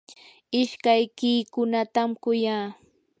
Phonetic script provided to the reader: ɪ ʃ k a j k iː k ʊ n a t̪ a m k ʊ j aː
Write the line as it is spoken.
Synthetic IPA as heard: ɪ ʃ k a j k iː k ʊ n a t̪ a m k ʊ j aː